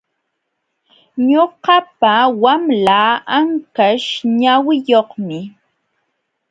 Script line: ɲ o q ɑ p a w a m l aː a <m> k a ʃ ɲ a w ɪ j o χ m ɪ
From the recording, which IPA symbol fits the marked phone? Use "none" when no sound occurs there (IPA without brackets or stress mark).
ŋ